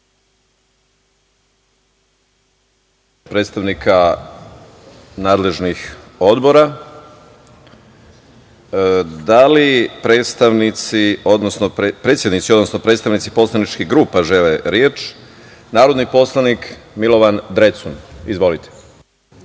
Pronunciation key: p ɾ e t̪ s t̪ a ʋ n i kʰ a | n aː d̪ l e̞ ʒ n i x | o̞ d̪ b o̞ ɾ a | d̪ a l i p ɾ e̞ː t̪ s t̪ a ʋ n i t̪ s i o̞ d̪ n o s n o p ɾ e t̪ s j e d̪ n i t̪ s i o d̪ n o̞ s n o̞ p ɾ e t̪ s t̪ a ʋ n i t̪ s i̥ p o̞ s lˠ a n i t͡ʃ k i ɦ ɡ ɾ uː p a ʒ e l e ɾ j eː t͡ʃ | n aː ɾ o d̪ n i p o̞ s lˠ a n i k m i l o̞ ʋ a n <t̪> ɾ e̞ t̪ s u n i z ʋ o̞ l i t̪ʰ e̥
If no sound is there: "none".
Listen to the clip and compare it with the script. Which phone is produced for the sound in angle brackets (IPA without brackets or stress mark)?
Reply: d̪